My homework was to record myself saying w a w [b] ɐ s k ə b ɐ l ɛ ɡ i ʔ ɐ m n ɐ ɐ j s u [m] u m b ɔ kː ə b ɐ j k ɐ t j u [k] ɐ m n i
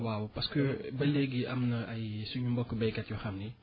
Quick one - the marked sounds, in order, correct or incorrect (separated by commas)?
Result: incorrect, incorrect, incorrect